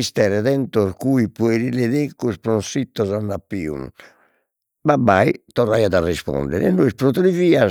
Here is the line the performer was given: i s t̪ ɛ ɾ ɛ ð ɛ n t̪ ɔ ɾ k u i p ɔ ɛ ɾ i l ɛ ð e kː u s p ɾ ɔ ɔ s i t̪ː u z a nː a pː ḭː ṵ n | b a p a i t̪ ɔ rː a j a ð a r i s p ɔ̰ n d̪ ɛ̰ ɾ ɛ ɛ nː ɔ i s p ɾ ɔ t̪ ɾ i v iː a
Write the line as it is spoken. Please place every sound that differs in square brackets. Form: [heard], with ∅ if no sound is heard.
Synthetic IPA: i s t̪ ɛ ɾ ɛ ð ɛ n t̪ ɔ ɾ k u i p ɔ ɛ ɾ i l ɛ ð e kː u s p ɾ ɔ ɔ s i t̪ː [ɔ] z a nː a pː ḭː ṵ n | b a [b] a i t̪ ɔ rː a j a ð a r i s p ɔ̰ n d̪ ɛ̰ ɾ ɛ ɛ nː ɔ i s p ɾ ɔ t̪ ɾ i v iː a